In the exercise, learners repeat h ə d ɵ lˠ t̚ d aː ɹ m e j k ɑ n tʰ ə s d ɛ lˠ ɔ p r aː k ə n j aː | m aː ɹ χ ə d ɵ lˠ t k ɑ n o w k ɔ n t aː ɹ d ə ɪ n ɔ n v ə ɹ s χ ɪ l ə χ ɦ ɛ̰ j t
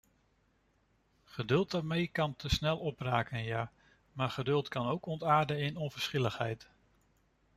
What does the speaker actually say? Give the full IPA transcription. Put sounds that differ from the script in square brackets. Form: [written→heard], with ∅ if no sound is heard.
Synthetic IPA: [h→χ] ə d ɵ lˠ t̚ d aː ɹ m e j k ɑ n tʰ ə s [d→n] ɛ lˠ ɔ p r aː k ə n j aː | m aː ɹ χ ə d ɵ lˠ t k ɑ n o w k ɔ n t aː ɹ d ə ɪ n ɔ n v ə ɹ s χ ɪ l ə χ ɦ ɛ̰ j t

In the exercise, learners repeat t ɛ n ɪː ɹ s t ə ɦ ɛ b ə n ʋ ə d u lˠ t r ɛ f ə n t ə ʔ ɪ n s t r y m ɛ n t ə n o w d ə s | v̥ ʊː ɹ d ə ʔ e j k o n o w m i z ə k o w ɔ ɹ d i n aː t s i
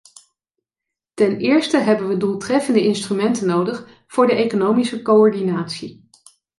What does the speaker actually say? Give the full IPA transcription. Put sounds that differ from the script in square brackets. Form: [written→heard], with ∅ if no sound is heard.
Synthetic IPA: t ɛ n ɪː ɹ s t ə ɦ ɛ b ə n ʋ ə d u lˠ t r ɛ f ə n [t→d] ə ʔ ɪ n s t r y m ɛ n t ə n o w d ə [s→χ] | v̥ ʊː ɹ d ə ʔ e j k o n o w m i [z→s] ə k o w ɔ ɹ d i n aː t s i

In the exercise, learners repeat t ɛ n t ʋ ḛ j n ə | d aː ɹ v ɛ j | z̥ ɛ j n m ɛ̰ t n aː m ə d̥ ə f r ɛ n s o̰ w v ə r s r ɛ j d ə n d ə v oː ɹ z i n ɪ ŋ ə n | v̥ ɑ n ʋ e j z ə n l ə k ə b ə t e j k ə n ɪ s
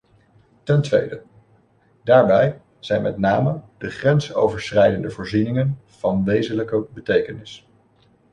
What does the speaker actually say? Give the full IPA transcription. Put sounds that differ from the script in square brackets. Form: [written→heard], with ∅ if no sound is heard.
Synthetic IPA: t ɛ n t ʋ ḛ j [n→d] ə | d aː ɹ [v→b] ɛ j | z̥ ɛ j n m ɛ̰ t n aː m ə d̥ ə [f→χ] r ɛ n s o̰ w v ə [r→ɹ] s r ɛ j d ə n d ə v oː ɹ z i n ɪ ŋ ə n | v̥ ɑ n ʋ e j z ə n l ə k ə b ə t e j k ə n ɪ s

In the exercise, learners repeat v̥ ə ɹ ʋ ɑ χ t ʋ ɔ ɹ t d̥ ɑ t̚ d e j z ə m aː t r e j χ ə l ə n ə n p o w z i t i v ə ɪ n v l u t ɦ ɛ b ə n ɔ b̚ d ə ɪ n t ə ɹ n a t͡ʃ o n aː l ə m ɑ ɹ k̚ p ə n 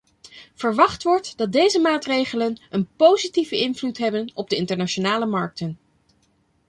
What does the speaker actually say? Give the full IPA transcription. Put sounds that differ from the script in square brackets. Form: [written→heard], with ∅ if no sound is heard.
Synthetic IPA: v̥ ə ɹ ʋ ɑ χ t ʋ ɔ ɹ t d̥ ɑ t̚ d e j z ə m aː t r e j χ ə l ə n ə n p o w z i t i v ə ɪ n v l u t ɦ ɛ b ə n ɔ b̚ d ə ɪ n t ə ɹ n a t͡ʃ o n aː l ə m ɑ ɹ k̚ [p→t] ə n

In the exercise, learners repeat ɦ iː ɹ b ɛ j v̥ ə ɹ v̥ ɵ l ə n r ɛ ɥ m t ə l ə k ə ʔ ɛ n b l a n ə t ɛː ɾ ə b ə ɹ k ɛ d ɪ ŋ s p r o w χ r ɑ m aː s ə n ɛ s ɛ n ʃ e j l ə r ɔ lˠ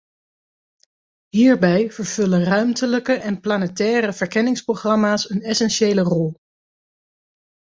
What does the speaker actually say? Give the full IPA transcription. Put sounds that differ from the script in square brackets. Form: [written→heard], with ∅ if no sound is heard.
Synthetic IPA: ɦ iː ɹ b ɛ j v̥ ə ɹ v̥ ɵ l ə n r [ɛ→œ] ɥ m t ə l ə k ə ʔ ɛ n [b→p] l a n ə t ɛː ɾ ə [b→v] ə ɹ k ɛ [d→n] ɪ ŋ s p r o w χ r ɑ m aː s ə n ɛ s ɛ n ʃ e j l ə r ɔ lˠ

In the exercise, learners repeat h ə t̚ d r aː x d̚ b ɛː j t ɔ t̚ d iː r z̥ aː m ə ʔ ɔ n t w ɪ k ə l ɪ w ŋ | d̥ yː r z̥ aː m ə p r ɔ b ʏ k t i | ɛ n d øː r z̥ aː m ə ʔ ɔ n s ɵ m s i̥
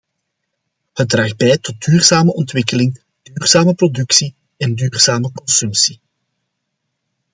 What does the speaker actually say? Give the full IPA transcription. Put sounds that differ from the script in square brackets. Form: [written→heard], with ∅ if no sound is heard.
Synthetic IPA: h ə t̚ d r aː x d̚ b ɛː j t ɔ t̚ d [iː→yː] r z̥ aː m ə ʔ ɔ n t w ɪ k ə l ɪ [w→∅] ŋ | d̥ yː r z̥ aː m ə p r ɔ [b→d] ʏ k [t→s] i | ɛ n d [øː→yː] r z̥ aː m ə [ʔ→k] ɔ n s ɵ m s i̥

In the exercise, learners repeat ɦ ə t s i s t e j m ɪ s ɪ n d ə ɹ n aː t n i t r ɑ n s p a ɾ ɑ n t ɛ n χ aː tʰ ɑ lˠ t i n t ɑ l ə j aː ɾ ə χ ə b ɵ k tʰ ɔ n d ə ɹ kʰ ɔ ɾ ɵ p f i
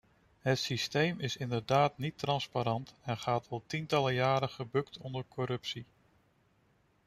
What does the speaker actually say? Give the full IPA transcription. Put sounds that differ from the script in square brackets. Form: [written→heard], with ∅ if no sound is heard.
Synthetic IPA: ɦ ə t s i s t e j m ɪ s ɪ n d ə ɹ [n→d] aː t n i t r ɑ n s p a ɾ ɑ n t ɛ n χ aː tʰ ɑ lˠ t i n t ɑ l ə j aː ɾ ə χ ə b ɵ k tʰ ɔ n d ə ɹ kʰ ɔ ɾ ɵ p [f→s] i

